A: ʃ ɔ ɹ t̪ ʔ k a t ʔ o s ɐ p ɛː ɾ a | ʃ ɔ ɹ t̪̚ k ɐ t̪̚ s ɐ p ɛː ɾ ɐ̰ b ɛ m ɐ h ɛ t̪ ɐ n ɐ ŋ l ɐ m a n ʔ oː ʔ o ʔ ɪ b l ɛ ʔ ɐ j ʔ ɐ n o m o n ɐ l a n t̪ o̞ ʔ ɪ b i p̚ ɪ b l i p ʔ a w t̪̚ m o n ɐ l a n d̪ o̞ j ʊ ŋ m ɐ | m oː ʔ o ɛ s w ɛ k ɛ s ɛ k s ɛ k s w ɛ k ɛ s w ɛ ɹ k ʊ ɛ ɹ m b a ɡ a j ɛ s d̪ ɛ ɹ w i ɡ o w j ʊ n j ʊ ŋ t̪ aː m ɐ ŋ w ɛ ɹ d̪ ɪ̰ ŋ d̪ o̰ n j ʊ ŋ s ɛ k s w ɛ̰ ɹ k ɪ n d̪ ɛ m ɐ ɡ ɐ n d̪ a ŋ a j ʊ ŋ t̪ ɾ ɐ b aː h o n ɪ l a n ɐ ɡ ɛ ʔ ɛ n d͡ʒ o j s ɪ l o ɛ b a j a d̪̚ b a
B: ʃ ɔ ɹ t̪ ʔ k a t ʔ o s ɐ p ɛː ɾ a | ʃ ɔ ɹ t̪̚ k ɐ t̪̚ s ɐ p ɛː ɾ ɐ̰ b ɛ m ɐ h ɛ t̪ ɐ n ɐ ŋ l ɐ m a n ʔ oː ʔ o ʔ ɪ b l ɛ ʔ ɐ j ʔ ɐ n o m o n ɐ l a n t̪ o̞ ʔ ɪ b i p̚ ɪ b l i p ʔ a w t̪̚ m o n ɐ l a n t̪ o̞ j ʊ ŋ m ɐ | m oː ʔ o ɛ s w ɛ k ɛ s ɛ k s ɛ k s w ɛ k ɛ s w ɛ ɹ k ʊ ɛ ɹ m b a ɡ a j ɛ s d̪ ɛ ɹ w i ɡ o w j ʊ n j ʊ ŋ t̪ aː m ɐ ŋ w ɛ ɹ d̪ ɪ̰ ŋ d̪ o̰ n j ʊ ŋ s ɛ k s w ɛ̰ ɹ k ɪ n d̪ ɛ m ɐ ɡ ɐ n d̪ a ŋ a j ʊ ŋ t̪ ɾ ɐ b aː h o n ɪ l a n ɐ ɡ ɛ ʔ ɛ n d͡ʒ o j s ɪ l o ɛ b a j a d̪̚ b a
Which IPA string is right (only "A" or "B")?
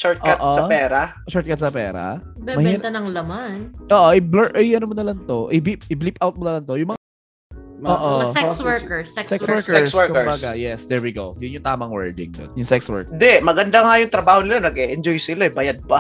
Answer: B